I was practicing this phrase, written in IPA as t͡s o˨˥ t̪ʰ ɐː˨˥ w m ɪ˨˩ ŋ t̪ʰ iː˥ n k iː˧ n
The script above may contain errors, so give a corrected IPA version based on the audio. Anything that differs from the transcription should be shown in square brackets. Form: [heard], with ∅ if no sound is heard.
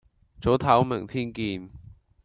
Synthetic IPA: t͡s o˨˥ t̪ʰ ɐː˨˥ w m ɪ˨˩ ŋ t̪ʰ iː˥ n k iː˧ n